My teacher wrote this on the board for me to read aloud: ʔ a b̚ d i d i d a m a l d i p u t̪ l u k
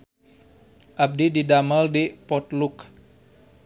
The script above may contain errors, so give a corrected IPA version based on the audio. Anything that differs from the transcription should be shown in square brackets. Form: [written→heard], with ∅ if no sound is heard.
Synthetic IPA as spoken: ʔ a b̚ d i d i d a m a l d i p [u→ɔ] t̪ l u k